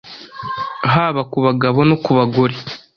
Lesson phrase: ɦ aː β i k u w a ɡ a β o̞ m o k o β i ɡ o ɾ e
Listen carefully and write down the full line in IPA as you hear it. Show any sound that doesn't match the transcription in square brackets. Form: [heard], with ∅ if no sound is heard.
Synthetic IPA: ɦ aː β [a] k u [β] a ɡ a β o̞ [n] o k [u] β [a] ɡ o ɾ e